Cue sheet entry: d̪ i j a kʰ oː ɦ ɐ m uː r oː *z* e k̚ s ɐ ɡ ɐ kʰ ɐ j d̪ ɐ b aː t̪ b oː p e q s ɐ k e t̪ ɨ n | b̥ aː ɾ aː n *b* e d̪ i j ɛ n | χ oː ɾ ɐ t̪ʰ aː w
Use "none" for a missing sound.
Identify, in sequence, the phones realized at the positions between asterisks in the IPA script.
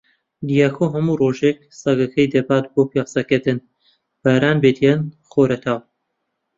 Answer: ʒ, b

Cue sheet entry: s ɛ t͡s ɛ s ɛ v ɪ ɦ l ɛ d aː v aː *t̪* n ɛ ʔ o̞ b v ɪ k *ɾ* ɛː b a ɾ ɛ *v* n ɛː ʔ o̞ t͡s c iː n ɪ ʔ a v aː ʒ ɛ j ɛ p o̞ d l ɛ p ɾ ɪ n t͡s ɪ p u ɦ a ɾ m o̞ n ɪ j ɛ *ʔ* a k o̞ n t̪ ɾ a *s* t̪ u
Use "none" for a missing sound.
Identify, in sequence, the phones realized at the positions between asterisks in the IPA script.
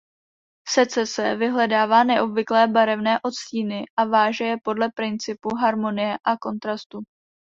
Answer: none, l, v, ʔ, s

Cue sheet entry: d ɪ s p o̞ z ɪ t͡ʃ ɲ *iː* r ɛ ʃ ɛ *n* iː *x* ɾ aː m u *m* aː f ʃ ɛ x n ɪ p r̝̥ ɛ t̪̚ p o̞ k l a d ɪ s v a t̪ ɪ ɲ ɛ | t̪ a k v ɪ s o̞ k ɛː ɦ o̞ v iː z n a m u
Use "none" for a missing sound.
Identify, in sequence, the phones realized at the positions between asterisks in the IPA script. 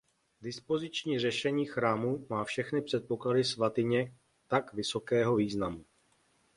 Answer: iː, ɲ, x, m

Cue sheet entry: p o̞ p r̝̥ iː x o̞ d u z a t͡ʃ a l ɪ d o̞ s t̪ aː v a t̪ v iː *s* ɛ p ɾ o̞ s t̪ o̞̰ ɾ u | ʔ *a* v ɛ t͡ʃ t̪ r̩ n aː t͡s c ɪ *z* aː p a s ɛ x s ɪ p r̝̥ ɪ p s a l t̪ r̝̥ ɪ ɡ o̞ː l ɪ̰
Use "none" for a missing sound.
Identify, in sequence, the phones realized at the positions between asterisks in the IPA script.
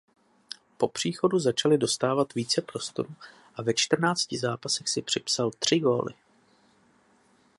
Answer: t͡s, a, z

